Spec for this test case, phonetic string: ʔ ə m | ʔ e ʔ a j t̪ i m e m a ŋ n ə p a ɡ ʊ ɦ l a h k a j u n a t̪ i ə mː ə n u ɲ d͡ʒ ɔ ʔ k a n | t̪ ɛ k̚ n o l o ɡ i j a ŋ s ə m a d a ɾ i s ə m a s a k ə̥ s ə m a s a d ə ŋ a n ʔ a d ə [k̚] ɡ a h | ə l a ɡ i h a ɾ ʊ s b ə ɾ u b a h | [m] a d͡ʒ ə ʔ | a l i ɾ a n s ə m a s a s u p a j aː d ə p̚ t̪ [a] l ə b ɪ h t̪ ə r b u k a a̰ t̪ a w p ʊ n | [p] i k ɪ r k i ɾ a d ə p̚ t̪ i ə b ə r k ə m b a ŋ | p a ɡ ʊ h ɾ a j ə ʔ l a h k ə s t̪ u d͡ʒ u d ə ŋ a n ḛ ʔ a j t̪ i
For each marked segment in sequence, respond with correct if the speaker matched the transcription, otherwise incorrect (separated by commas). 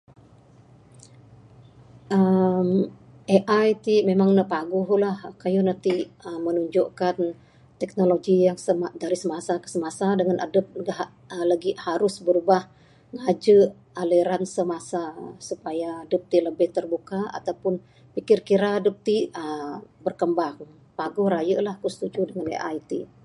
incorrect, incorrect, incorrect, correct